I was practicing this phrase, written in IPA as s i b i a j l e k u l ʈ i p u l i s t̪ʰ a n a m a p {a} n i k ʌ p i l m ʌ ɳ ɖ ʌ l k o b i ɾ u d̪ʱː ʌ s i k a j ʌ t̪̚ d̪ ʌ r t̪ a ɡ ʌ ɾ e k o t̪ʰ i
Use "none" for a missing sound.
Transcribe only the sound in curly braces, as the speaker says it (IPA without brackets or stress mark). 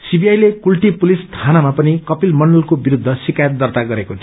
ʌ